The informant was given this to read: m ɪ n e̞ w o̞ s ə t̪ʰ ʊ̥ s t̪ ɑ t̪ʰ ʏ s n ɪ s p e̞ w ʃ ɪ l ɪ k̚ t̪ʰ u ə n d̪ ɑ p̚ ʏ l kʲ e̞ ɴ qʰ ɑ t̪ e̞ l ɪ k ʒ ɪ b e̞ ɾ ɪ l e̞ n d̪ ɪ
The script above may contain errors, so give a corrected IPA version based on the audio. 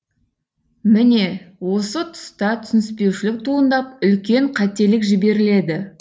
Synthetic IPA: m ɪ n e̞ w o̞ s ə t̪ʰ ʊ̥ s t̪ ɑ t̪ʰ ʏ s n ɪ s p e̞ w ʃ ɪ l ɪ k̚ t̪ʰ u ə n d̪ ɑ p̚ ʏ l kʲ e̞ ɴ qʰ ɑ t̪ e̞ l ɪ k ʒ ɪ b e̞ ɾ ɪ l e̞ d̪ ɪ